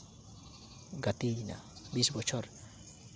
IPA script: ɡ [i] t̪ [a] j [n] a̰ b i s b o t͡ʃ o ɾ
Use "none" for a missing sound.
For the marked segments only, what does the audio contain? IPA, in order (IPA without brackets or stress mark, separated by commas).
a, i, n